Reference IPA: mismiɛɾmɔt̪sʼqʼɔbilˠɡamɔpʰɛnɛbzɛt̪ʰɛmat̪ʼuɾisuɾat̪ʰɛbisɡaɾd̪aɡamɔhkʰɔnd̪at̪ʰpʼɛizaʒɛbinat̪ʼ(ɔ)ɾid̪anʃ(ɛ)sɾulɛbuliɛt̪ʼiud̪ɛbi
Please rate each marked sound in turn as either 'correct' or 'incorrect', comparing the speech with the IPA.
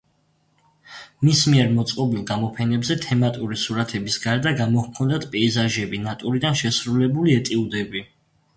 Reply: incorrect, correct

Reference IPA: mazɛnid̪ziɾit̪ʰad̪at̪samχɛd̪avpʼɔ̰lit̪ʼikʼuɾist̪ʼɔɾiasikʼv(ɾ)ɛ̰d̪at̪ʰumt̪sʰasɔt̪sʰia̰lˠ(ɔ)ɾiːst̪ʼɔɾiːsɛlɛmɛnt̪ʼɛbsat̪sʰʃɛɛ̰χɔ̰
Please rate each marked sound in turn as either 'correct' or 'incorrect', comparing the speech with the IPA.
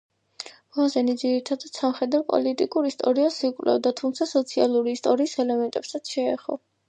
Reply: incorrect, incorrect

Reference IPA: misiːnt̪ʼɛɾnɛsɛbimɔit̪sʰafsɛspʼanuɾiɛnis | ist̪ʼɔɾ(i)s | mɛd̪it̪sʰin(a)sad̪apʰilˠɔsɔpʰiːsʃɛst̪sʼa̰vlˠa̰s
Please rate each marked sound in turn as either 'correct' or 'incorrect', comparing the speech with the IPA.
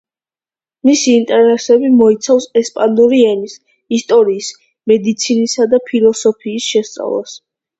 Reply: incorrect, incorrect

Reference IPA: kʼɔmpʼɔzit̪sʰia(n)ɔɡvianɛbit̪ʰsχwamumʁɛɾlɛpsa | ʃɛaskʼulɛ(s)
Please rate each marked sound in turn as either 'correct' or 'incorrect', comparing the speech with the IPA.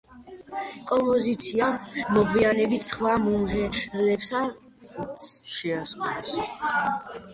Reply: incorrect, correct

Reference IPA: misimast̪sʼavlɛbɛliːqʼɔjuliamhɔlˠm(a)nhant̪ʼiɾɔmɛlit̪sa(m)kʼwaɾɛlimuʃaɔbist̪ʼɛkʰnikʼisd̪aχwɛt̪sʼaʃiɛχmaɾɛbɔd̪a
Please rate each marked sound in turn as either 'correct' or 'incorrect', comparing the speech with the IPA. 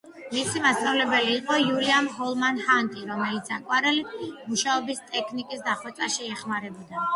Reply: correct, incorrect

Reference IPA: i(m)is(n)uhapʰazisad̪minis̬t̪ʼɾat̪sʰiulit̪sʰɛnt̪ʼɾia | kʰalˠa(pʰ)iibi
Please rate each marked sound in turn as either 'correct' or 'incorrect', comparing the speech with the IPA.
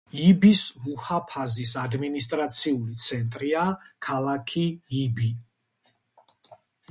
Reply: incorrect, incorrect, incorrect

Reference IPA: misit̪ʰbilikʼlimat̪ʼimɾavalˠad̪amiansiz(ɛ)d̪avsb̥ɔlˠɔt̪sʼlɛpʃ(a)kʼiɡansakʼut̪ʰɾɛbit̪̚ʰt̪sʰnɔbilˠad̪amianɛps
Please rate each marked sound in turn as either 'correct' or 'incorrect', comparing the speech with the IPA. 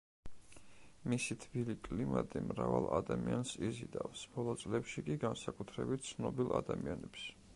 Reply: incorrect, incorrect

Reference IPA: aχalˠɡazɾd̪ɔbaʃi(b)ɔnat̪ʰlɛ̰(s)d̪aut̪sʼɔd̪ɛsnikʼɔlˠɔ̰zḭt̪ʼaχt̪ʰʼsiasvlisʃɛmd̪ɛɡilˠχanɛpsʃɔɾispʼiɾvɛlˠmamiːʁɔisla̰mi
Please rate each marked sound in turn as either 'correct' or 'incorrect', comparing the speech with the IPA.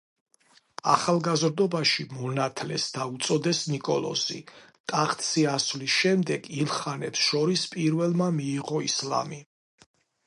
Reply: incorrect, correct

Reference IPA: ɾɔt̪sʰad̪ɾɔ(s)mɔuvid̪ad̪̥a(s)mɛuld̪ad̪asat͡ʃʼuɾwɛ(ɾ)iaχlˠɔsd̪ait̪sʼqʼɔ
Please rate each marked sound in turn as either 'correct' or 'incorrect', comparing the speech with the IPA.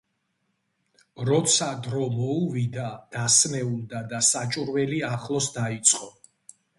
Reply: incorrect, correct, incorrect

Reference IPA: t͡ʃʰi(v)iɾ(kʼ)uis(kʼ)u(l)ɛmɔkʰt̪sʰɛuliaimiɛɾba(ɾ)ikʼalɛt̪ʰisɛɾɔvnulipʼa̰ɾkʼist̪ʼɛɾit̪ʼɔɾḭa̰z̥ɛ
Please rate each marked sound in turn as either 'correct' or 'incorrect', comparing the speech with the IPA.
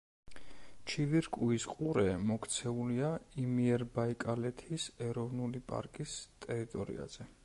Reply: correct, correct, incorrect, incorrect, incorrect

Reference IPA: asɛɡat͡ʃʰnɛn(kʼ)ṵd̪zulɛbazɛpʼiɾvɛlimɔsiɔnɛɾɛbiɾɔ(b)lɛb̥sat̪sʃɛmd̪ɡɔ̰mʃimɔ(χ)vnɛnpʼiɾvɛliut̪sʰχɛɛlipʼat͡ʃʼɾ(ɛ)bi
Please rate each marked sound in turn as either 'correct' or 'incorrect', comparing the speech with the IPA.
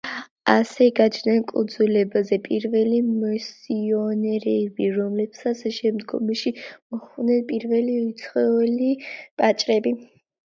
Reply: correct, incorrect, correct, correct

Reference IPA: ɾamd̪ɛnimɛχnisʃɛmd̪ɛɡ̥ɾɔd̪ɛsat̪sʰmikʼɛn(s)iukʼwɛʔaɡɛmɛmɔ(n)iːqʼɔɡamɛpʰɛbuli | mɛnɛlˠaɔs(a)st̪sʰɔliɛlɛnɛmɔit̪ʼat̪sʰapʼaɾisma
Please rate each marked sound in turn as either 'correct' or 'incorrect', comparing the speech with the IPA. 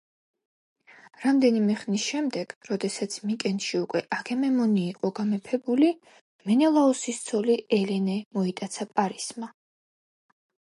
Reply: incorrect, correct, incorrect

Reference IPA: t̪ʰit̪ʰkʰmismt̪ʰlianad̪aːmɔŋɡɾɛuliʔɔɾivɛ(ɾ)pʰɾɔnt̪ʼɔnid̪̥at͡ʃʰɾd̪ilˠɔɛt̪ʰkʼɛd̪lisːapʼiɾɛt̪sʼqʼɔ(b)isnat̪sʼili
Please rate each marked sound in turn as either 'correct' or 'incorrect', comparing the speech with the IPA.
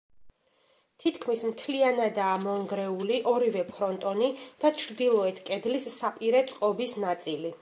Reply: incorrect, correct

